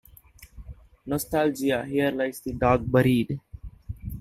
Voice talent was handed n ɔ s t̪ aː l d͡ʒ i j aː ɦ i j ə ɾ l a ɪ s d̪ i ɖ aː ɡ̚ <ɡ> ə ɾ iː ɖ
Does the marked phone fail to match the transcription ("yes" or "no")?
yes